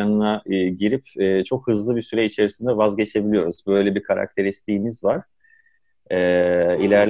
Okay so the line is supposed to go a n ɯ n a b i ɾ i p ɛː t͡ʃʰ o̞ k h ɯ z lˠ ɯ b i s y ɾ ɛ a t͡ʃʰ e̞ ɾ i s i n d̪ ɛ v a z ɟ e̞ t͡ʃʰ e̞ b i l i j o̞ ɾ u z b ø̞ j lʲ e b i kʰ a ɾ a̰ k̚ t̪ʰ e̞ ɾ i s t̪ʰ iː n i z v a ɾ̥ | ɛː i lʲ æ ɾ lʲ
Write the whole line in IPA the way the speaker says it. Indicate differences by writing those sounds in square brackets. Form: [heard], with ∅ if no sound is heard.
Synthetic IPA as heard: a n ɯ n a [ɟ] i ɾ i p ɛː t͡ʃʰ o̞ k h ɯ z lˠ ɯ b i s y ɾ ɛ [i] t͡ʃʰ e̞ ɾ i s i n d̪ ɛ v a z ɟ e̞ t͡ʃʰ e̞ b i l i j o̞ ɾ u z b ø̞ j lʲ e b i kʰ a ɾ a̰ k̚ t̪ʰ e̞ ɾ i s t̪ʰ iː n i z v a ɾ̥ | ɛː i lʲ æ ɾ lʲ